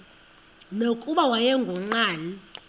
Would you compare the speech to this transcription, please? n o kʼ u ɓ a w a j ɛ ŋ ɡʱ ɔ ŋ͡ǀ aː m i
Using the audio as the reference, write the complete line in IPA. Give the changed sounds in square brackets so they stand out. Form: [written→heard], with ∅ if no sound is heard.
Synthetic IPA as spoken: n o kʼ u ɓ a w a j ɛ ŋ ɡʱ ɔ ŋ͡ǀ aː [m→n] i

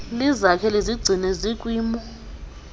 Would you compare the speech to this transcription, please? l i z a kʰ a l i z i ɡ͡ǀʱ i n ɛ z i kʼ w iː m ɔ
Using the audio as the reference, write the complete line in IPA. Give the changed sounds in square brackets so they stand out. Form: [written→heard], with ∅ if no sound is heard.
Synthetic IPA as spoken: l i z a kʰ [a→ɛ] l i z i ɡ͡ǀʱ i n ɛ z i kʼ w iː m ɔ

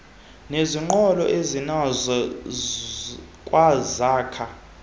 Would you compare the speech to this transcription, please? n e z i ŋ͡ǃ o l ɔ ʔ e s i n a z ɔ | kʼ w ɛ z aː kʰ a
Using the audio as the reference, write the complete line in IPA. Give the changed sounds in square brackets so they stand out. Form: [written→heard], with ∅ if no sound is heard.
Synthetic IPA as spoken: n e z i ŋ͡ǃ [o→ɔ] l ɔ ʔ e [s→z] i n a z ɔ | kʼ w [ɛ→a] z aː kʰ a

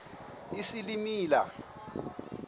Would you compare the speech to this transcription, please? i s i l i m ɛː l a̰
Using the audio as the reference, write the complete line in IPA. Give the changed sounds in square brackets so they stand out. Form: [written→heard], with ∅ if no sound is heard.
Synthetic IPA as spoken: i s i l i m [ɛː→iː] l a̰

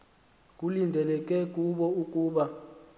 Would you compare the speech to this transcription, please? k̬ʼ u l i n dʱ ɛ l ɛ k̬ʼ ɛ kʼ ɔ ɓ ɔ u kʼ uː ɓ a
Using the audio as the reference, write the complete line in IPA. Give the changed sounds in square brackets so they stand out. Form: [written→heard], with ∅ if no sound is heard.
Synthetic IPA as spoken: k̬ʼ u l i n dʱ ɛ l ɛ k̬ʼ ɛ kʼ [ɔ→u] ɓ ɔ u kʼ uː ɓ a

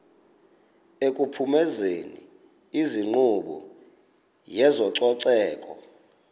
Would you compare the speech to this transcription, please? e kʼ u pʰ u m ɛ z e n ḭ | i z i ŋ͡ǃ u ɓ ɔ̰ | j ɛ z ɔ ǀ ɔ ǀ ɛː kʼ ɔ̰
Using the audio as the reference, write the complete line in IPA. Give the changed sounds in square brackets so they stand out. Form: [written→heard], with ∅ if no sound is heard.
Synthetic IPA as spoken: e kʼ u pʰ u m ɛ z e n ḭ | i z i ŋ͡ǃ u ɓ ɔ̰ | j ɛ z ɔ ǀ ɔ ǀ ɛː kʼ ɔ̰

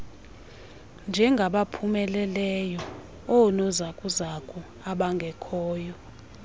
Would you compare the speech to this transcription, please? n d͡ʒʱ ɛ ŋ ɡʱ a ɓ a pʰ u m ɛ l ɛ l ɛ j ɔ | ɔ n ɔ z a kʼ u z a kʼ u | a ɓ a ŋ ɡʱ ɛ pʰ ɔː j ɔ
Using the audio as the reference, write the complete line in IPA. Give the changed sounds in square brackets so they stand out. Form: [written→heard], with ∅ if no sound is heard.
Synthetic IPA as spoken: n d͡ʒʱ ɛ ŋ ɡʱ a ɓ a pʰ u m ɛ l ɛ l ɛ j ɔ | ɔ n ɔ z a kʼ u z a kʼ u | a ɓ a ŋ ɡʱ ɛ [pʰ→kʰ] ɔː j ɔ

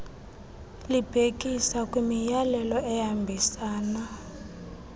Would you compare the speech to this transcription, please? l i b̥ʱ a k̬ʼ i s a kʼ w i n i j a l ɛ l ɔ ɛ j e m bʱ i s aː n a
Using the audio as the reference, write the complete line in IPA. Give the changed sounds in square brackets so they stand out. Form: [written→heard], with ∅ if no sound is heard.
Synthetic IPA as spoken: l i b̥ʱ [a→e] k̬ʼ i s a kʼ w i [n→m] i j a l ɛ l ɔ ɛ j [e→a] m bʱ i s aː n a

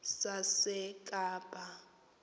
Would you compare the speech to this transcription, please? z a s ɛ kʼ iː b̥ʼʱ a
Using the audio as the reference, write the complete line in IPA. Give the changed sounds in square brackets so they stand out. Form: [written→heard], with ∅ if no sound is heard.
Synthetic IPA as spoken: [z→s] a s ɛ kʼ [iː→aː] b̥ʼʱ a

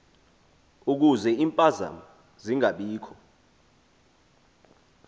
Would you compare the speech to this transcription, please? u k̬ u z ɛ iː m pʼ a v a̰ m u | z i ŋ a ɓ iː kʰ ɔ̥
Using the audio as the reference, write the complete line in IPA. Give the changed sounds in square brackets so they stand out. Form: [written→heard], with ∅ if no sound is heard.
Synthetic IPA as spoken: u k̬ u z ɛ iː m pʼ a [v→z] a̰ m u | z i ŋ a ɓ iː kʰ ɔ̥

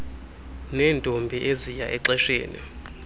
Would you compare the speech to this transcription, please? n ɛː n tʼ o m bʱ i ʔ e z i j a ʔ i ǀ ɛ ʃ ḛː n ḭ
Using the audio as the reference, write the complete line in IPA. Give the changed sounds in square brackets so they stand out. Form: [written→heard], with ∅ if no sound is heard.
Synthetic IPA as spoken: n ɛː n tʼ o m bʱ i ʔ e z i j a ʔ [i→ɛ] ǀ ɛ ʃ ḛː n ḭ

